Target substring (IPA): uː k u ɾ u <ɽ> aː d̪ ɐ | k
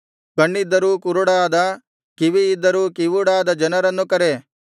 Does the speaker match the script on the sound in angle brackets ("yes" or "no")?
yes